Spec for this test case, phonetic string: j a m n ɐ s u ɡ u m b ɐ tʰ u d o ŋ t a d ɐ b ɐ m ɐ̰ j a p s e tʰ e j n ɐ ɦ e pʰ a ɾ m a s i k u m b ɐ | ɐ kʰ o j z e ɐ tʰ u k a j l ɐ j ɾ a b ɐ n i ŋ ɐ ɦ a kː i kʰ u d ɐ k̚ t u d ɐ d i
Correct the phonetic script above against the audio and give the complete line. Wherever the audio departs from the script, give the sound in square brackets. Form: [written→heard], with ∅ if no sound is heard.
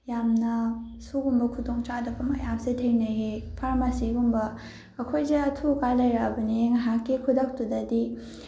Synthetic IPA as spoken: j a m n ɐ s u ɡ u m b ɐ [tʰ→kʰ] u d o ŋ [t→t͡ʃ] a d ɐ b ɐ m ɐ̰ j a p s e tʰ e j n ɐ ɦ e pʰ a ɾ m a s i [k→ɡ] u m b ɐ | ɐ kʰ o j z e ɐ tʰ u k a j l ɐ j ɾ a b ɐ n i ŋ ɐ ɦ a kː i kʰ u d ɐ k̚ t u d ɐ d i